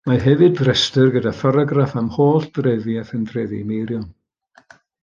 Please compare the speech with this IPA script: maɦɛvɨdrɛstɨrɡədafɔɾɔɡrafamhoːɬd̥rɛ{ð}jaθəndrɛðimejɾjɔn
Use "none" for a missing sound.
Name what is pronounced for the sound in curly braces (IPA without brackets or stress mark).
ð